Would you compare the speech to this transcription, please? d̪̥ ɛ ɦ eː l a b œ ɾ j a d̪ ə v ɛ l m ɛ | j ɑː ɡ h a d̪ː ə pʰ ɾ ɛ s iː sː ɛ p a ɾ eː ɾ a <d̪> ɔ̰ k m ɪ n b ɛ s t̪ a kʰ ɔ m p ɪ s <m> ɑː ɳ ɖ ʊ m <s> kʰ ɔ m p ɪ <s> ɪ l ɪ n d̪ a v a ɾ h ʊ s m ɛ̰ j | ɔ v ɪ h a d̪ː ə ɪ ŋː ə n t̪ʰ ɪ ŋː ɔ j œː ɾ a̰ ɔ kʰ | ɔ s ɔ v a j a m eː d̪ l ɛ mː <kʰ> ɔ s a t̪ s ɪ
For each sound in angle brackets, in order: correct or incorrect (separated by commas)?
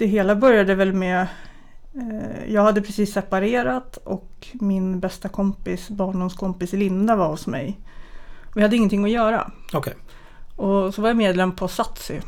incorrect, incorrect, correct, correct, incorrect